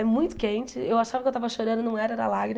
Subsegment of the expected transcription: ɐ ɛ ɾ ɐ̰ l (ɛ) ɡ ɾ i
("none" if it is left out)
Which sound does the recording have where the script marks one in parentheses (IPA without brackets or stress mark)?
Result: a